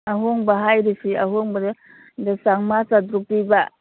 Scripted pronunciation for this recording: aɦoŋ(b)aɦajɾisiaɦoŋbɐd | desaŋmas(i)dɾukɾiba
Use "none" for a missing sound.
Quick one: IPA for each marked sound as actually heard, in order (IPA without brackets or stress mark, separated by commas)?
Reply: b, a